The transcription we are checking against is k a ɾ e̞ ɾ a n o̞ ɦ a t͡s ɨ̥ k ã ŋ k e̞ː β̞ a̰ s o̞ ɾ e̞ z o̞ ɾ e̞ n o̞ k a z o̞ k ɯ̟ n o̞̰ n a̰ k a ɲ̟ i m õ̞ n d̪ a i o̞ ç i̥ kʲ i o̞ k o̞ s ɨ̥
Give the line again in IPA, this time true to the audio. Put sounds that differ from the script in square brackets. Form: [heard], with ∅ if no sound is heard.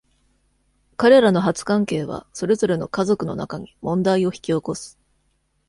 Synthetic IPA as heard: k a ɾ e̞ ɾ a n o̞ ɦ a t͡s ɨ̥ k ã ŋ k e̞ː β̞ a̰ s o̞ ɾ e̞ z o̞ ɾ e̞ n o̞ k a z o̞ k ɯ̟ n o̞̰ n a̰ k a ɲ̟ i m õ̞ n d̪ a i o̞ ç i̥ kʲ i o̞ k o̞ s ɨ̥